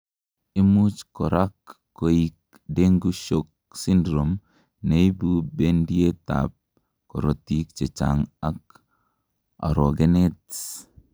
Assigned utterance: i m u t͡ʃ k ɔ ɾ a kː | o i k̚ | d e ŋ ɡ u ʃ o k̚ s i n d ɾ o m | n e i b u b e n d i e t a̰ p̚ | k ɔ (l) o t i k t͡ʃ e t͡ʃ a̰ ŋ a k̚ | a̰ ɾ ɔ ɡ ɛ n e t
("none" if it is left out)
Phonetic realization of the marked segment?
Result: ɾ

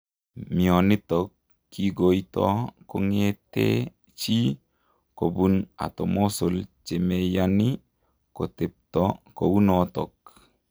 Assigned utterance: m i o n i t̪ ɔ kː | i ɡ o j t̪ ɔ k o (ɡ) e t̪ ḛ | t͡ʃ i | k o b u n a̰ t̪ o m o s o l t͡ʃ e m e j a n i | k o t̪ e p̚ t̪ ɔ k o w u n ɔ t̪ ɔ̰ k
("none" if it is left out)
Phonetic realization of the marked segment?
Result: ŋ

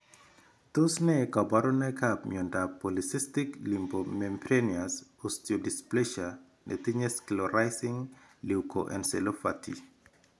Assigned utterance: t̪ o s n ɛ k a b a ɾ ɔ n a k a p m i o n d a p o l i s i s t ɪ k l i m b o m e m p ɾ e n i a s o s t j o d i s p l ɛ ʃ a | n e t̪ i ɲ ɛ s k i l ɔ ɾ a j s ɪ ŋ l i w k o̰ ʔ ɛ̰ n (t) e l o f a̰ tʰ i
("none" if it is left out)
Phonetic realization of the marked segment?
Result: s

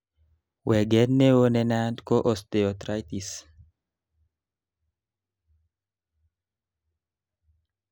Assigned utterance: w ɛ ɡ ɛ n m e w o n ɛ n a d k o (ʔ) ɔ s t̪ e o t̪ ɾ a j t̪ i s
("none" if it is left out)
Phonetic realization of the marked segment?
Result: ʔ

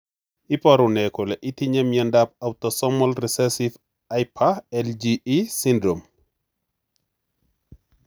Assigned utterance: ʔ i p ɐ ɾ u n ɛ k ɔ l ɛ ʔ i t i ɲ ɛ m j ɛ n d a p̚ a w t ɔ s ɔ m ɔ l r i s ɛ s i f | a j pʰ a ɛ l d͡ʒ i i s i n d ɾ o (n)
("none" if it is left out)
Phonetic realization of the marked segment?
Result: m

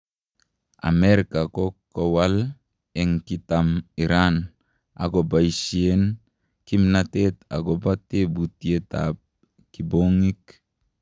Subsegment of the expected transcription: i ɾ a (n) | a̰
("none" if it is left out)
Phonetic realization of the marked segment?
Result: n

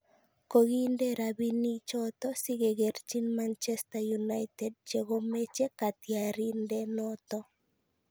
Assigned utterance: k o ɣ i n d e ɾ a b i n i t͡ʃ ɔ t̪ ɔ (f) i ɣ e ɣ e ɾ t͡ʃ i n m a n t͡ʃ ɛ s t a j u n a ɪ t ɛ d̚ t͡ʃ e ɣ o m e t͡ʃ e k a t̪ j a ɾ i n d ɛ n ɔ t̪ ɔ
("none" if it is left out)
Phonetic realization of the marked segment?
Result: s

